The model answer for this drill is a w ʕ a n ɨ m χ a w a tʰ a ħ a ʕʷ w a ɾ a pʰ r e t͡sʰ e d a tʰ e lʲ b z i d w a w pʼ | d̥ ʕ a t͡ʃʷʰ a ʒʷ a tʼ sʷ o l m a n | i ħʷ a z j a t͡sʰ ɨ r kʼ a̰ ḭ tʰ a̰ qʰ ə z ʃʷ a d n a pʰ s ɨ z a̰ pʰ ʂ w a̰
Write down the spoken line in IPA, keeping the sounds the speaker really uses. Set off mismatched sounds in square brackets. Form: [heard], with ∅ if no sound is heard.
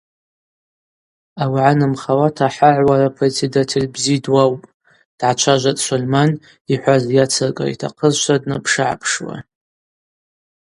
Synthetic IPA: a w ʕ a n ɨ m χ a w a tʰ a ħ a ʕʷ w a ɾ a pʰ r e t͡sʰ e d a tʰ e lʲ b z i d w a w pʼ | d̥ ʕ a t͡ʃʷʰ a ʒʷ a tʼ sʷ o l m a n | i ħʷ a z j a t͡sʰ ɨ r kʼ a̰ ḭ tʰ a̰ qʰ ə z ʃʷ a d n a pʰ [ʂ] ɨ [ʕ] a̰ pʰ ʂ w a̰